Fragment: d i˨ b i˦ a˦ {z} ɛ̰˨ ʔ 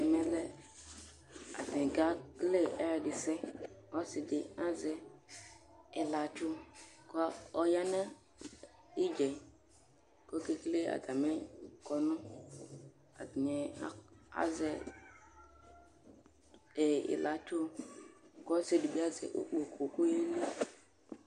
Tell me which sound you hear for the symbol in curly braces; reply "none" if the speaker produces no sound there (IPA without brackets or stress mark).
z